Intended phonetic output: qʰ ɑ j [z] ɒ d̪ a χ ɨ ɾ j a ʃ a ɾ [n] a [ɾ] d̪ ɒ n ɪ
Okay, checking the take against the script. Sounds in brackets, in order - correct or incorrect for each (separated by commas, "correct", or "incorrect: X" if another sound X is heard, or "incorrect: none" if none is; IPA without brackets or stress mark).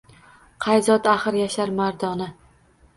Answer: correct, incorrect: m, correct